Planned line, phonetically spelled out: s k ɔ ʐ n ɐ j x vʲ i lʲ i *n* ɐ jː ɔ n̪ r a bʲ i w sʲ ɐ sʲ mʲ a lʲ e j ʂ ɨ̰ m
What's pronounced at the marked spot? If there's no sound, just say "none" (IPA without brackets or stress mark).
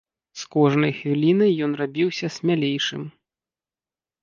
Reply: n